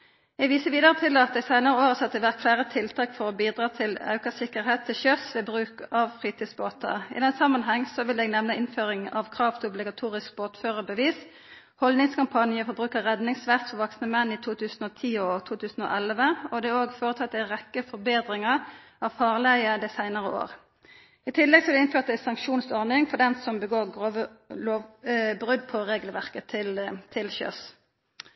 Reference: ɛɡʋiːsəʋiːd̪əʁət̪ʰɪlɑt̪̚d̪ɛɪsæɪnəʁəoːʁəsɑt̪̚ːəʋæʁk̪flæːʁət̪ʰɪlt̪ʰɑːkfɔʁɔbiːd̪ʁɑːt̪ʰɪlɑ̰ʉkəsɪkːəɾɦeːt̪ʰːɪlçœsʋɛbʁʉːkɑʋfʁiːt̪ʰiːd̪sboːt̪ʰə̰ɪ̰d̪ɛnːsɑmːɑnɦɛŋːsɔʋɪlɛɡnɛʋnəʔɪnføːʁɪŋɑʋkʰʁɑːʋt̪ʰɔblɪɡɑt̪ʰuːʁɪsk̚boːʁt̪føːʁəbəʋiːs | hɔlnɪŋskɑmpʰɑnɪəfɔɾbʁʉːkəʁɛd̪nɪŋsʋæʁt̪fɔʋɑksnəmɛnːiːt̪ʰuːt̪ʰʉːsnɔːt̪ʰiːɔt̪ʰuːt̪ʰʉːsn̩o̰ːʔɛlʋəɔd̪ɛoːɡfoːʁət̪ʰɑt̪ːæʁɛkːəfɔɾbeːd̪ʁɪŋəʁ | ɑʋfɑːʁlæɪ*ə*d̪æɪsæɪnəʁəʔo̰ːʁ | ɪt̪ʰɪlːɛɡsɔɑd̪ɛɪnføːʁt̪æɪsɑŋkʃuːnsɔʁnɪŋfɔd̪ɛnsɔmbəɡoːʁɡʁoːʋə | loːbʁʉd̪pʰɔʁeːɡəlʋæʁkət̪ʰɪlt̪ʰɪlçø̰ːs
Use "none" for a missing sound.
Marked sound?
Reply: ə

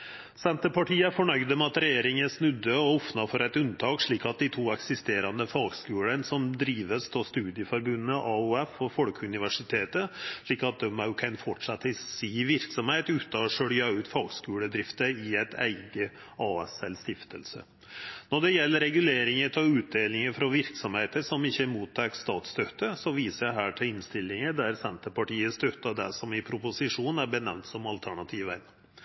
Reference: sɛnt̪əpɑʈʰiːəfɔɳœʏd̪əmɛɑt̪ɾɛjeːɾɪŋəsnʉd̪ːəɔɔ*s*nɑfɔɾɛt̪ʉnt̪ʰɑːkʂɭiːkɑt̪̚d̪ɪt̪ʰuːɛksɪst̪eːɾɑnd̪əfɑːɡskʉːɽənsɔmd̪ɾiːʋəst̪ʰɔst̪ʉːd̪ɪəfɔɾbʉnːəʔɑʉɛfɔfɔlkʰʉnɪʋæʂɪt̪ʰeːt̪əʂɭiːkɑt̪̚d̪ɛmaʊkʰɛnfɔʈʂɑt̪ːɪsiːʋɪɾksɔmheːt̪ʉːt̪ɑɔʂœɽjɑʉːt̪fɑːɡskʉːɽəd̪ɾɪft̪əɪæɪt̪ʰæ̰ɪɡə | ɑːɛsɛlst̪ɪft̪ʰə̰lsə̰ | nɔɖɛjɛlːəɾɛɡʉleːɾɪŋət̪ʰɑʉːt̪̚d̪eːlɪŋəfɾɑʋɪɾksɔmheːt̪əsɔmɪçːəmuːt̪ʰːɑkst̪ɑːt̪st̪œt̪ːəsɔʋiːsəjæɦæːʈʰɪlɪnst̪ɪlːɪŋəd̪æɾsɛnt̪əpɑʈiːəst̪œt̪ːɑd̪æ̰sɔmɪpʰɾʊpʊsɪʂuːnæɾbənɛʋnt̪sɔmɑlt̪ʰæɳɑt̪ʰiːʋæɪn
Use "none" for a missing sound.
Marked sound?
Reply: f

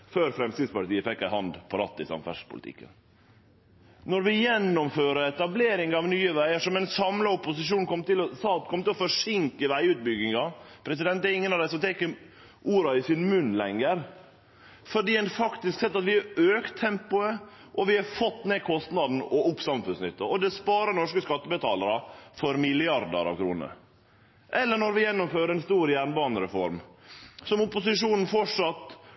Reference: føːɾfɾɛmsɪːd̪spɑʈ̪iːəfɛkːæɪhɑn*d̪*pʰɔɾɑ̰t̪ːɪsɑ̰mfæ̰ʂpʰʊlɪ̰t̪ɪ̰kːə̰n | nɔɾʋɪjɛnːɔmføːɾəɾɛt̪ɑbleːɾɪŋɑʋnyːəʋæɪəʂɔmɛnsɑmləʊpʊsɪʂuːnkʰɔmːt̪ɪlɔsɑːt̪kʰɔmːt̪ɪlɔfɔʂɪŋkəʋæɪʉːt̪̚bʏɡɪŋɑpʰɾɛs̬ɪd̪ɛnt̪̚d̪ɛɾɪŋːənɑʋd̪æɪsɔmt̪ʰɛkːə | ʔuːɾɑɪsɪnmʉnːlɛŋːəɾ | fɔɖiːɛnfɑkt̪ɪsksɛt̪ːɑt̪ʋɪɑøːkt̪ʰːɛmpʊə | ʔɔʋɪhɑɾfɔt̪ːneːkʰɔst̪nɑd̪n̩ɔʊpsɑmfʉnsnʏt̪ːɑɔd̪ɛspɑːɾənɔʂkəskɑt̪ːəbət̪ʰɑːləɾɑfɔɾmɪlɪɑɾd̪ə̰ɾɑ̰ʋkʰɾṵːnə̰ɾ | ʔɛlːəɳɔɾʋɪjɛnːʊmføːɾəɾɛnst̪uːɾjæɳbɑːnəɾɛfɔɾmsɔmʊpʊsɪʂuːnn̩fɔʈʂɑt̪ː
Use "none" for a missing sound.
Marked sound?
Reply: d̪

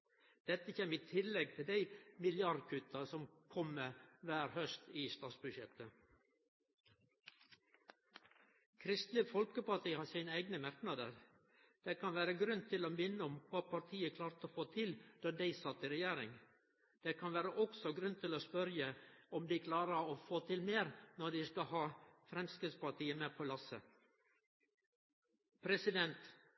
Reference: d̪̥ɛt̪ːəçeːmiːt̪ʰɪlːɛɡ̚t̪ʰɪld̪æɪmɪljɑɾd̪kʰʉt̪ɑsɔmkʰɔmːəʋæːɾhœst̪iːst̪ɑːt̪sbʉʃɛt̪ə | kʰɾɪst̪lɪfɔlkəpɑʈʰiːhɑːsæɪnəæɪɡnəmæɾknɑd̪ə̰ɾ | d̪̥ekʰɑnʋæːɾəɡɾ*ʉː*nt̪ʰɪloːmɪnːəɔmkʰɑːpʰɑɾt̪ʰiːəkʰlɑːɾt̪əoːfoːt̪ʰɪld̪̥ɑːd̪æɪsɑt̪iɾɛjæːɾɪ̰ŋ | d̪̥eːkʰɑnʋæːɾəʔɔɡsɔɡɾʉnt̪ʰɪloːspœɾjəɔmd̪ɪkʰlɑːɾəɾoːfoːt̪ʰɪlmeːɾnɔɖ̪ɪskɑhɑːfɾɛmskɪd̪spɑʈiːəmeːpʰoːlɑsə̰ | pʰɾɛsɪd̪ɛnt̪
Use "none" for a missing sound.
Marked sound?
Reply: ʉ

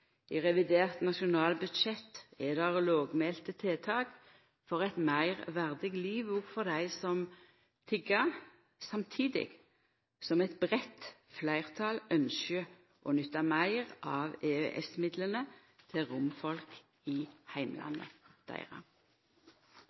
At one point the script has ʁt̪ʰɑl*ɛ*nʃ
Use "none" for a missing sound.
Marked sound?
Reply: œ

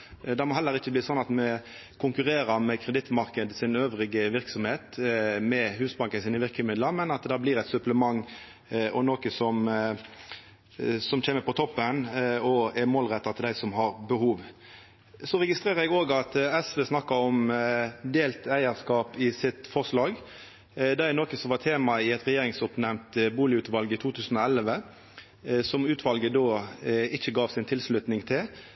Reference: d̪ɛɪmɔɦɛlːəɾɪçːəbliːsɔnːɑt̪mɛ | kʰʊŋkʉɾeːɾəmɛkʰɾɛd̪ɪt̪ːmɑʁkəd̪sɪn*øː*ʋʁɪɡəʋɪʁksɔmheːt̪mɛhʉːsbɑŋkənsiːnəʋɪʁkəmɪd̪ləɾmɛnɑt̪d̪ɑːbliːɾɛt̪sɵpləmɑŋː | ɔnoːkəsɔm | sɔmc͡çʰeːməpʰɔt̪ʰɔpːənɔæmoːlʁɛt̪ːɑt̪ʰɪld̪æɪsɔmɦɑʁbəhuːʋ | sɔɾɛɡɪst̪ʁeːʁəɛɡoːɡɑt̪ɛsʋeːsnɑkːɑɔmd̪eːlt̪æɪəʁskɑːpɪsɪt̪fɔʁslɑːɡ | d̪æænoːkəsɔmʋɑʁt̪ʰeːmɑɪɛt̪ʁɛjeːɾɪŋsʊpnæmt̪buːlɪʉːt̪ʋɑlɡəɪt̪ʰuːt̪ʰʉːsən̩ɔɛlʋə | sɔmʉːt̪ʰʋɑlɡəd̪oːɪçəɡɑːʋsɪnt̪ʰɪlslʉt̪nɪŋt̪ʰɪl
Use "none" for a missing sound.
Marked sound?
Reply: øː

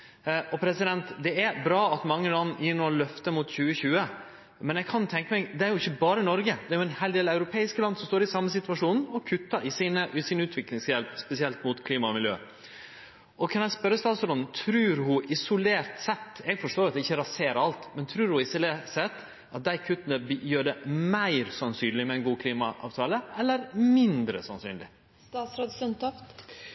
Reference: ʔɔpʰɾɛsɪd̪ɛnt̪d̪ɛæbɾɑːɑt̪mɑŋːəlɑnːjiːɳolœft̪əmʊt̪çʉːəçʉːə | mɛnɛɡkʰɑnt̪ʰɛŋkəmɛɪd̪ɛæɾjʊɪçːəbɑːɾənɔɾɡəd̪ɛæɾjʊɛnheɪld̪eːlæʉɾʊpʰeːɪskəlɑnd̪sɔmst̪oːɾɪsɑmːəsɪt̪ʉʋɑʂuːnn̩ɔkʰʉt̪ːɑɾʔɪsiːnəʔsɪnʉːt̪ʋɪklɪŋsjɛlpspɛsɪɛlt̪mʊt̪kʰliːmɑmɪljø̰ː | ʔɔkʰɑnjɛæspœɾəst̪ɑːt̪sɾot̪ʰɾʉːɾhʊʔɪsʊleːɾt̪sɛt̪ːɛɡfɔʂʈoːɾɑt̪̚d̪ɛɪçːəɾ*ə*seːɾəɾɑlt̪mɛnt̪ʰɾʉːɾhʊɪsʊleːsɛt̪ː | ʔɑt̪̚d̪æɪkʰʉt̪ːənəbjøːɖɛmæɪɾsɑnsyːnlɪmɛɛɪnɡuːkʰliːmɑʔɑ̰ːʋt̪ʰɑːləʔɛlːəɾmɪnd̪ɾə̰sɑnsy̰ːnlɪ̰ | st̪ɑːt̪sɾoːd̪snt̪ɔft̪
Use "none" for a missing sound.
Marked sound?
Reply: ɑ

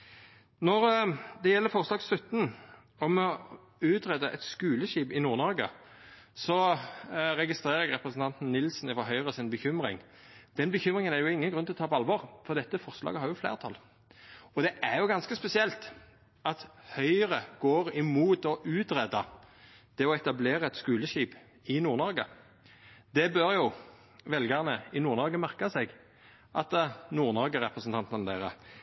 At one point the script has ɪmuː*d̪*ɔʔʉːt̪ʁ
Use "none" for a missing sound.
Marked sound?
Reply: t̪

